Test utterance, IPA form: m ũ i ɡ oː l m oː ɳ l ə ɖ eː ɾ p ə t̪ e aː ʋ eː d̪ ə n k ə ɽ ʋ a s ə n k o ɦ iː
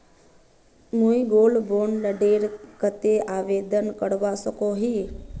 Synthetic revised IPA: m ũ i ɡ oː l b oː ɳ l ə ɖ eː ɾ k ə t̪ e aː ʋ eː d̪ ə n k ə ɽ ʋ a s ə k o ɦ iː

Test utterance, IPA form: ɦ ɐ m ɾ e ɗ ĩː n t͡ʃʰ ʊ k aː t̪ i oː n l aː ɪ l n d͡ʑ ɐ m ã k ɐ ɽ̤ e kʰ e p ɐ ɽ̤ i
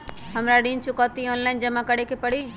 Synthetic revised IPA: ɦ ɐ m ɾ a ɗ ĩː n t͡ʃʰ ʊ k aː t̪ i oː n l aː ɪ n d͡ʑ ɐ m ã k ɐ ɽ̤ e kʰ e p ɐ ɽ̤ i

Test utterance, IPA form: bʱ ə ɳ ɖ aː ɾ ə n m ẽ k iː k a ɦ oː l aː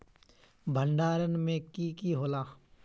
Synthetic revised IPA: bʱ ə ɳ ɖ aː ɾ ə n m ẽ k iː k i ɦ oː l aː

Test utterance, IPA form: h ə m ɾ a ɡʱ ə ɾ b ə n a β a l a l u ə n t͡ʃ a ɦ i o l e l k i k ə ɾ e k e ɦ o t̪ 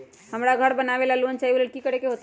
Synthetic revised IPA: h ə m ɾ a ɡʱ ə ɾ b ə n a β e l a l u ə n t͡ʃ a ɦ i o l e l k i k ə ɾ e k e ɦ o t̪

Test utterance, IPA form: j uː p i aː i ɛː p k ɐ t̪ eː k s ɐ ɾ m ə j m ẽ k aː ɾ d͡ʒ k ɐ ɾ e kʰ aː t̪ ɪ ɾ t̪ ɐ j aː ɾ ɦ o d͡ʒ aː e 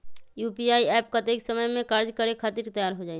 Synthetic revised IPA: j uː p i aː i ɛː p k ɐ t̪ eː k s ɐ m ə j m ẽ k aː ɾ d͡ʒ k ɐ ɾ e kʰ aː t̪ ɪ ɾ t̪ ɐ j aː ɾ ɦ o d͡ʒ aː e

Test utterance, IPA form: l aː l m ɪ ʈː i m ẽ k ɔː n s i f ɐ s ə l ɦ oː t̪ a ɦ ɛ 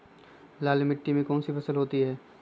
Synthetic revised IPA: l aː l m ɪ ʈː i m ẽ k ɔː n s i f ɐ s ə l ɦ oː t̪ i ɦ ɛː

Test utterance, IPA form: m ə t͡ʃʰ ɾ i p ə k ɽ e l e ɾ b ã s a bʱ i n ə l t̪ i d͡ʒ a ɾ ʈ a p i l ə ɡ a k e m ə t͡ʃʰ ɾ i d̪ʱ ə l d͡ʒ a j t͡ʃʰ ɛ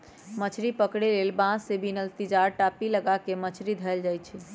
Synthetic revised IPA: m ə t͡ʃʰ ɾ i p ə k ɽ e l e l b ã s e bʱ i n ə l t̪ i d͡ʒ a ɾ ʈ a p i l ə ɡ a k e m ə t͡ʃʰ ɾ i d̪ʱ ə l d͡ʒ a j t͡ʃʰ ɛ

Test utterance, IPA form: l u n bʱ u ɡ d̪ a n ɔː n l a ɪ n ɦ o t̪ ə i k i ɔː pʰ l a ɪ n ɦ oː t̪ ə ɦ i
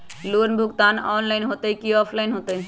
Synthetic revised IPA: l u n bʱ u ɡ t̪ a n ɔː n l a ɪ n ɦ o t̪ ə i k i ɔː pʰ l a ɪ n ɦ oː t̪ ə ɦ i

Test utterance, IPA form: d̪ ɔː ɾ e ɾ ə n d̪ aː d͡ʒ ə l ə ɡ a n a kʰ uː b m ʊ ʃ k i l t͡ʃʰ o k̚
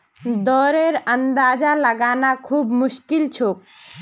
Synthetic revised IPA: d̪ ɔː ɾ e ɾ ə n d̪ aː d͡ʒ a l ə ɡ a n a kʰ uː b m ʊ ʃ k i l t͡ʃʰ o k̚

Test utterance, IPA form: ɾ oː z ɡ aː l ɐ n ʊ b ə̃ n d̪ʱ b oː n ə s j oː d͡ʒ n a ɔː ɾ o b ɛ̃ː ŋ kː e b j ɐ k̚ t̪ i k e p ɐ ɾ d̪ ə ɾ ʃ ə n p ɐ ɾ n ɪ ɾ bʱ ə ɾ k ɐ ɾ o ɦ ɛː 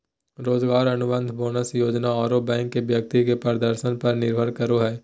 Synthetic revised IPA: ɾ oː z ɡ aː ɾ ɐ n ʊ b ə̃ n d̪ʱ b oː n ə s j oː d͡ʒ n a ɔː ɾ o b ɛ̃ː ŋ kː e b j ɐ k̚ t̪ i k e p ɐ ɾ d̪ ə ɾ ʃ ə n p ɐ ɾ n ɪ ɾ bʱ ə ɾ k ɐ ɾ o ɦ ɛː

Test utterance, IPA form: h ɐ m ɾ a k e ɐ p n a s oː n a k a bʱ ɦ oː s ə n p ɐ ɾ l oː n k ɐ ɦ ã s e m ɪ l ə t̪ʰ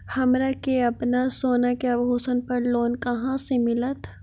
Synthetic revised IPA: h ɐ m ɾ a k e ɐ p n a s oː n a k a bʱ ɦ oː s ə n p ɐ ɾ l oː n k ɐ ɦ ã s e m ɪ l ə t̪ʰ

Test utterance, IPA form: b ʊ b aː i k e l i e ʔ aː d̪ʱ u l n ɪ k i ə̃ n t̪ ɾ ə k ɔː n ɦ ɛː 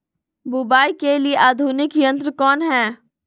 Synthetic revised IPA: b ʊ b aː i k e l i e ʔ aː d̪ʱ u n ɪ k j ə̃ n t̪ ɾ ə k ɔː n ɦ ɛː

